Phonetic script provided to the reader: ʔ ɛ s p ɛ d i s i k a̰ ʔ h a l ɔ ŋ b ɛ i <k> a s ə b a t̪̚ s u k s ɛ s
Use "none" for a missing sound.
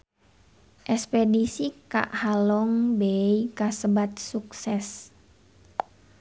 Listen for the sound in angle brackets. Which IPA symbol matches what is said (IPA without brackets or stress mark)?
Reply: k